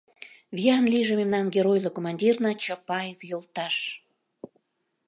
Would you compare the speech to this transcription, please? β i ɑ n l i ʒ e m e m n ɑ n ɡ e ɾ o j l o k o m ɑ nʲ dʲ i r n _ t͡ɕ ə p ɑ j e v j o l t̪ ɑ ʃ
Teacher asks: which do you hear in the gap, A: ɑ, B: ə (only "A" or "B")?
A